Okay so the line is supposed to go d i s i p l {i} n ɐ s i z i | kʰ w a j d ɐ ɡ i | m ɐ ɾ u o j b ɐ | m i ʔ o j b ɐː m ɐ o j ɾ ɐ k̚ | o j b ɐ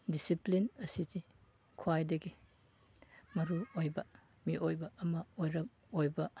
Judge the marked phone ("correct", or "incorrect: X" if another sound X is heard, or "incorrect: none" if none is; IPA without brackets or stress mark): correct